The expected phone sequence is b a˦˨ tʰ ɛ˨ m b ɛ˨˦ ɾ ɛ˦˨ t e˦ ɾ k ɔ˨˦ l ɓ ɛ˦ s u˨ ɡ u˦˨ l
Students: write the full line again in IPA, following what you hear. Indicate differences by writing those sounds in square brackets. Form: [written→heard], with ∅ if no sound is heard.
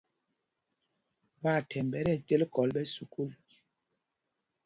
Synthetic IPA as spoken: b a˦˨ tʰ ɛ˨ m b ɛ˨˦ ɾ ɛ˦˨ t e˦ [ɾ→l] k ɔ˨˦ l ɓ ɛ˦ s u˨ [ɡ→k] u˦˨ l